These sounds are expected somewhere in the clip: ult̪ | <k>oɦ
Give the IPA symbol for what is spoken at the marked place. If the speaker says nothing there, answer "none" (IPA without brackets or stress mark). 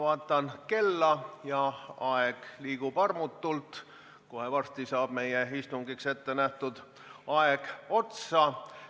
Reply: k